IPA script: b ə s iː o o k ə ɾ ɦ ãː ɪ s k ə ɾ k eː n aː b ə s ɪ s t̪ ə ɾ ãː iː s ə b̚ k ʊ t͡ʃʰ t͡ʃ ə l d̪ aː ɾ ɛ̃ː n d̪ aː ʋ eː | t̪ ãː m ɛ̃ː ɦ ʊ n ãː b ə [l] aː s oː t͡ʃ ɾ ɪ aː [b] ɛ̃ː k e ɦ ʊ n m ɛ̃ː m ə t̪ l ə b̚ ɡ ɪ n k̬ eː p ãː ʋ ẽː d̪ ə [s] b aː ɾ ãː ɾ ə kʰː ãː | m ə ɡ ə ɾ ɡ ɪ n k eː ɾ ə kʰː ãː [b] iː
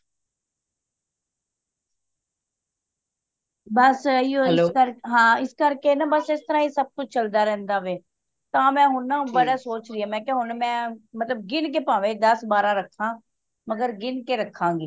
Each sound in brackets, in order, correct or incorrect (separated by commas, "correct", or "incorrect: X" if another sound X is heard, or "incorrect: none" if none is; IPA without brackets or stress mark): incorrect: ɽ, incorrect: m, correct, incorrect: ɡ